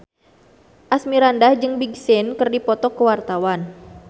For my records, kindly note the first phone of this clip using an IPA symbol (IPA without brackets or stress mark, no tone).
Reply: ʔ